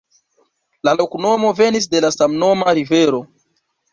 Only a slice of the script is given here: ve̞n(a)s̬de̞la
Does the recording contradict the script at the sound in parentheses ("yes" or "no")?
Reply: yes